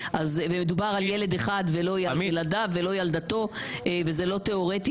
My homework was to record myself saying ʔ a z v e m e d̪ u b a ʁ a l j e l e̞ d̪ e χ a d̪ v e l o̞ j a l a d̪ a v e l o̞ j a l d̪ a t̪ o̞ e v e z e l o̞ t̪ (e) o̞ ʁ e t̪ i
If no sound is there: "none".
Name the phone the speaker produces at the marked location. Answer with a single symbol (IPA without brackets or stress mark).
e